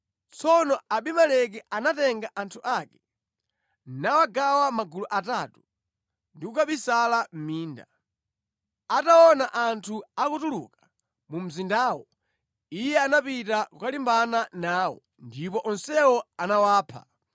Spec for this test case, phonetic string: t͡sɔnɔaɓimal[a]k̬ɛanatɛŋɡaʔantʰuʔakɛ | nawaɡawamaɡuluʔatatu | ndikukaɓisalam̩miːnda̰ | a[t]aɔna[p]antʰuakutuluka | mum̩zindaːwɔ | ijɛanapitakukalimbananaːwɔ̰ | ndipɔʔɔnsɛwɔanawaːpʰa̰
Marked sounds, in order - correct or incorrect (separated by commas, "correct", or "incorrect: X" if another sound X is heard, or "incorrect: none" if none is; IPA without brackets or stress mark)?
incorrect: ɛ, correct, incorrect: ʔ